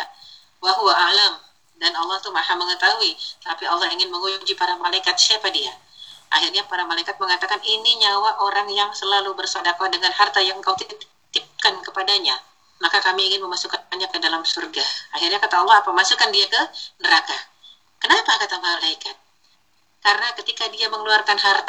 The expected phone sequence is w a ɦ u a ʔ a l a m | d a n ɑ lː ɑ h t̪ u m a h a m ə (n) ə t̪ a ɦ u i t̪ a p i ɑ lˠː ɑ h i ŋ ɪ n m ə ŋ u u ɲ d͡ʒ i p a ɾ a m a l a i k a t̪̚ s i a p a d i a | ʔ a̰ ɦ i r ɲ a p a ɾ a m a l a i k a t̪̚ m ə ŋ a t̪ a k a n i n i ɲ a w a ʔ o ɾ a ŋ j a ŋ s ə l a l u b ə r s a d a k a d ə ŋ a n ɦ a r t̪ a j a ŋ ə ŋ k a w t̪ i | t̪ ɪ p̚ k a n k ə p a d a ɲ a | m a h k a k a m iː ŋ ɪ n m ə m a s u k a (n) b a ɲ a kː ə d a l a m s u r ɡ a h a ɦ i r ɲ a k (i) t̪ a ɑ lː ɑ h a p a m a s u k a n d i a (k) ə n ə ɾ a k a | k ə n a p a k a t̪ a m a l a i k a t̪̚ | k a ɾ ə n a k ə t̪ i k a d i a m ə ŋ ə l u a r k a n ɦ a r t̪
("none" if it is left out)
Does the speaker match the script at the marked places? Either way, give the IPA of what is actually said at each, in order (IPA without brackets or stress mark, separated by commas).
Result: ŋ, n, a, k